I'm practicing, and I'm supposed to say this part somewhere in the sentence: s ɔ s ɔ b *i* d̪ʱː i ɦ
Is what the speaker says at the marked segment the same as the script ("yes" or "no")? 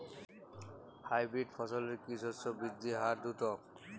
yes